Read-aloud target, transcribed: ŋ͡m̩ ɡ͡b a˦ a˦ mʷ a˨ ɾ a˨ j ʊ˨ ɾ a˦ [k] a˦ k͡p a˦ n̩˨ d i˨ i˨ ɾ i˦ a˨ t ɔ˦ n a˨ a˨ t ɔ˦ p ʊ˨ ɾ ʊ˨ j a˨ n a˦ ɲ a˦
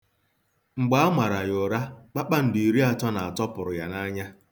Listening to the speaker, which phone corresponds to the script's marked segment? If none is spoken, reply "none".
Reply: k͡p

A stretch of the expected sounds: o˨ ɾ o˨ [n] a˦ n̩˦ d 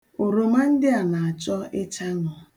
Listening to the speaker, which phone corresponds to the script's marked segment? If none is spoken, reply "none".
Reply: m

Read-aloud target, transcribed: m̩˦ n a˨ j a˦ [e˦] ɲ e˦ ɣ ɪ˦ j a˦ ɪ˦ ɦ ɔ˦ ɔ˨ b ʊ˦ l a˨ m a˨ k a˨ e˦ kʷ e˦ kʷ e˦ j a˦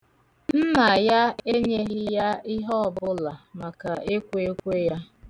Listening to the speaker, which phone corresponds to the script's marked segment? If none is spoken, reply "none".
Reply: e˦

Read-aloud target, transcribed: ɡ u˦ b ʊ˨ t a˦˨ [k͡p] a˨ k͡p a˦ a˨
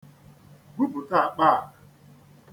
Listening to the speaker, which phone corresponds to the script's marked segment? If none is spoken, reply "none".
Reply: none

